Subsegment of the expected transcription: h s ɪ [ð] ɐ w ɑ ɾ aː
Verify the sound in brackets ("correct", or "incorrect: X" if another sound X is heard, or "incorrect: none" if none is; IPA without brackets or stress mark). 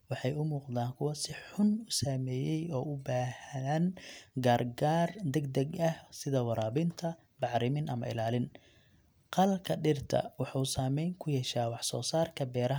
correct